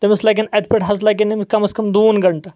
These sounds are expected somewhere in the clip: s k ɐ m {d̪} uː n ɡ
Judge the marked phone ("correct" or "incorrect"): correct